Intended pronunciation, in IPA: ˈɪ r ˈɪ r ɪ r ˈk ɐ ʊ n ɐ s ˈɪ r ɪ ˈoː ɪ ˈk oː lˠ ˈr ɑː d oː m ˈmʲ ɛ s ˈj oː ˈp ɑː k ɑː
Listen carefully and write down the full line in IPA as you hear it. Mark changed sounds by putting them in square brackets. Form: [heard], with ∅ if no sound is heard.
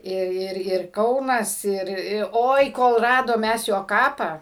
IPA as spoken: ˈɪ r ˈɪ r ɪ r ˈk ɐ ʊ n ɐ s ˈɪ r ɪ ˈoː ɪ ˈk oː lˠ ˈr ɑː d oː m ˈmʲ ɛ s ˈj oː [ˈk] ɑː [p] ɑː